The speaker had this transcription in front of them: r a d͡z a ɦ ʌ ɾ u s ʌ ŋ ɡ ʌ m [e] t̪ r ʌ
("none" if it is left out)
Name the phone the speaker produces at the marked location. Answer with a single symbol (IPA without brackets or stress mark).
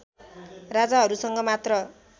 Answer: a